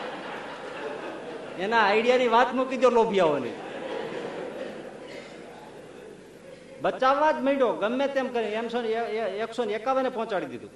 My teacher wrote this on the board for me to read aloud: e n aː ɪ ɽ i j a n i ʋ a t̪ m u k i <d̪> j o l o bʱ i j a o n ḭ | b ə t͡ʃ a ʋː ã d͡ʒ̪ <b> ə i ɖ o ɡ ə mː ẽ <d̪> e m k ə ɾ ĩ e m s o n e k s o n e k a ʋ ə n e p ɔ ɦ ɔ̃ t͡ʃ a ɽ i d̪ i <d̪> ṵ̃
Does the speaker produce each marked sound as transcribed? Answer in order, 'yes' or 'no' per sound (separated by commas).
yes, no, no, yes